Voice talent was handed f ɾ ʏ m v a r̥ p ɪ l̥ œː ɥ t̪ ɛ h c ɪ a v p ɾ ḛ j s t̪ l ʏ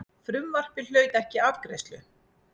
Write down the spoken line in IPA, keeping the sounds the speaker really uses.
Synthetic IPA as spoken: f ɾ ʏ m v a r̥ p ɪ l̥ œː ɥ t̪ ɛ h c ɪ a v k ɾ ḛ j s t̪ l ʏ